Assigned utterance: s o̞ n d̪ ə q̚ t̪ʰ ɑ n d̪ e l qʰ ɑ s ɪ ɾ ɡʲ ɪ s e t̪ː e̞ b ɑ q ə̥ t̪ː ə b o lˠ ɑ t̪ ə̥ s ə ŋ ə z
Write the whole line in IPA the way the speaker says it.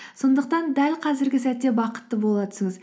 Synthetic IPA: s o̞ n d̪ ə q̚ t̪ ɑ n d̪ æ l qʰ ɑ z ɪ ɾ ɡʲ ɪ s æ t̪ː e̞ b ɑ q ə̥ t̪ː ə b o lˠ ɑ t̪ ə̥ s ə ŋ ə z